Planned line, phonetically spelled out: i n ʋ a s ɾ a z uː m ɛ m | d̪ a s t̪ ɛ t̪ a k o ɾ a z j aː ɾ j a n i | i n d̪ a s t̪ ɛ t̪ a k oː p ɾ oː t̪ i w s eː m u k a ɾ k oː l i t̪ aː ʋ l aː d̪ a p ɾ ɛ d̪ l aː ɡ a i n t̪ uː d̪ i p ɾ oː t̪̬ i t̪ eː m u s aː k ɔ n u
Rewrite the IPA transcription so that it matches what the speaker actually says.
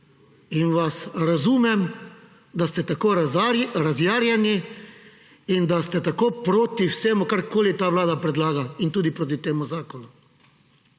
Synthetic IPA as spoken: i n ʋ a s ɾ a z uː m ɛ m | d̪ a s t̪ ɛ t̪ a k o ɾ a z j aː ɾ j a n i | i n d̪ a s t̪ ɛ t̪ a k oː p ɾ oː t̪ i w s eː m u k a ɾ k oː l i t̪ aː ʋ l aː d̪ a p ɾ ɛ d̪ l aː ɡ a i n t̪ uː d̪ i p ɾ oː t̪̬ i t̪ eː m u z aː k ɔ n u